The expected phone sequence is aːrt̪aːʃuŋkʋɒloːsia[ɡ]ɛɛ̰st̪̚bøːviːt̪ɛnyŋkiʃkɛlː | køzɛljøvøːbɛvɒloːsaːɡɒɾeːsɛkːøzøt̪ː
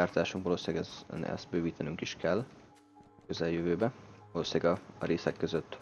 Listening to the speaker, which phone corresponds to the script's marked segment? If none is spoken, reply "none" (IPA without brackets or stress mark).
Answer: ɡ